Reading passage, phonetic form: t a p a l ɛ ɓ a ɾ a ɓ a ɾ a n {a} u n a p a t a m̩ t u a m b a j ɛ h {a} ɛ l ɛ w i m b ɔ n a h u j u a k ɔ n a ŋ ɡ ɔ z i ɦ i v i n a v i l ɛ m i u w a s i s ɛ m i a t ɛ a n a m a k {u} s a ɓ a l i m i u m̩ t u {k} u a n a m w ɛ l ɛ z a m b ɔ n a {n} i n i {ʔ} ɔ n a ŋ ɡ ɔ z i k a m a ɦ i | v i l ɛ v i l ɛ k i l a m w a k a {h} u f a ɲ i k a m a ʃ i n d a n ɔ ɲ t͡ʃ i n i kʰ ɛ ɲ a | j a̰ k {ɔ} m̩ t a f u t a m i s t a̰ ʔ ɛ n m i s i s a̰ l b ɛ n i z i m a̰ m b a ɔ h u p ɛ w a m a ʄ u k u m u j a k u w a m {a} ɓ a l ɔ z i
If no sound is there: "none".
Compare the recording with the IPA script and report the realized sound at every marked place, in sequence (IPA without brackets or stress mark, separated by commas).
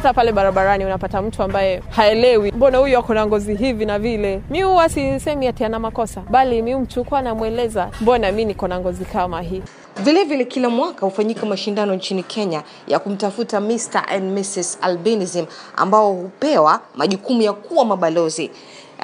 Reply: i, a, ɔ, k, m, k, h, u, a